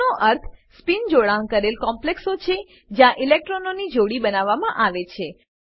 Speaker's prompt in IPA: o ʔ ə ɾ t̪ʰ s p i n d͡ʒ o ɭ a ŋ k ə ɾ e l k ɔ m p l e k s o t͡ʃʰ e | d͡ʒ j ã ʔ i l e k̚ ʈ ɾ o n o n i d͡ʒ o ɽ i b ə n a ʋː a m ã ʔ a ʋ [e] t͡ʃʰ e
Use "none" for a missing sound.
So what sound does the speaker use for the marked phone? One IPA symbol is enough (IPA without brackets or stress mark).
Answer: e